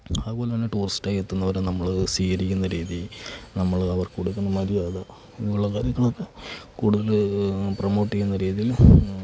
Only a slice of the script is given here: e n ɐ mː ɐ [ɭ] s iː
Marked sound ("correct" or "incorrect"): correct